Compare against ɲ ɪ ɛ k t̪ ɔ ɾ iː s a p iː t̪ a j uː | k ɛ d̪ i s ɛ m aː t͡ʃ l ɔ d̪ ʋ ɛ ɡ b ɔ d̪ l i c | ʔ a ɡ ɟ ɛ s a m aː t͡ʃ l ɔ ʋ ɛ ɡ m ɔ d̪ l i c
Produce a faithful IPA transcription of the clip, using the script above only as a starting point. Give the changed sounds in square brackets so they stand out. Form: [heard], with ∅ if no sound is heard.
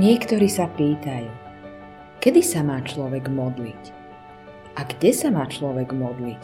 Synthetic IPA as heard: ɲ ɪ ɛ k t̪ ɔ ɾ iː s a p iː t̪ a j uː | k ɛ d̪ i s [a] m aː t͡ʃ l ɔ [∅] ʋ ɛ ɡ [m] ɔ d̪ l i c | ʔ a ɡ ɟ ɛ s a m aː t͡ʃ l ɔ ʋ ɛ ɡ m ɔ d̪ l i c